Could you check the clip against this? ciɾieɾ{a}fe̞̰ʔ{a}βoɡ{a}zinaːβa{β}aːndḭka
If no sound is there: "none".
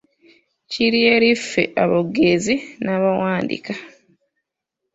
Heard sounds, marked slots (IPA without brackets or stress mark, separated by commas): i, a, e, w